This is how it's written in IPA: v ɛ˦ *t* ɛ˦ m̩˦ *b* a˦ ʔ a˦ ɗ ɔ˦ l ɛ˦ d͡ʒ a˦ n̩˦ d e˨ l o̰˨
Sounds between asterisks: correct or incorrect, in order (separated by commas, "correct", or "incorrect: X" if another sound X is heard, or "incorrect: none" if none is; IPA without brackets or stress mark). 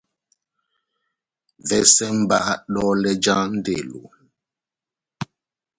incorrect: s, correct